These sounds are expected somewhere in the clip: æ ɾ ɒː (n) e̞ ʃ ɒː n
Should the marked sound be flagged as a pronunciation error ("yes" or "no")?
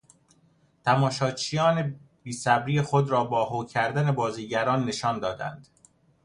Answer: yes